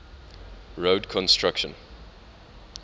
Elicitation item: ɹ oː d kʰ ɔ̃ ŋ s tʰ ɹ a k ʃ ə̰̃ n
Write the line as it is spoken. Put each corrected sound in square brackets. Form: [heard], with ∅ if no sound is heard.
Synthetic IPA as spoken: ɹ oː d kʰ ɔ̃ [n] s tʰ ɹ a k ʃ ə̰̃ n